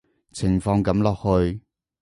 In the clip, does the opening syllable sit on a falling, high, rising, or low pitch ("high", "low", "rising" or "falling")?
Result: low